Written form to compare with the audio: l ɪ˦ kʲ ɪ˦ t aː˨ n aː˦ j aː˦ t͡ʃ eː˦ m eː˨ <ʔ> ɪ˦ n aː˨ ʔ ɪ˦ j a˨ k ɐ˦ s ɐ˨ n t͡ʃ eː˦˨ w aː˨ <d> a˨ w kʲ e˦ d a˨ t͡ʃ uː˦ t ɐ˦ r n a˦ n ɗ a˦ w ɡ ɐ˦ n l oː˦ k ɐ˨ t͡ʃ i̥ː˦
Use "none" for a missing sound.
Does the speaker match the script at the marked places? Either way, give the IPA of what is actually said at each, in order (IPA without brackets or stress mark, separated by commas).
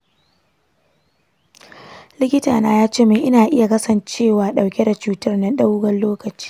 ʔ, ɗ